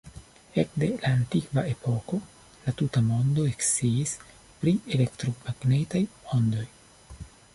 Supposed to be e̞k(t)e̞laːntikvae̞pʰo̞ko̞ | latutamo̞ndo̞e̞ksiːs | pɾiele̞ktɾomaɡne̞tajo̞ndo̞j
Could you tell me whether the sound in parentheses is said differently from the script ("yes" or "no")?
yes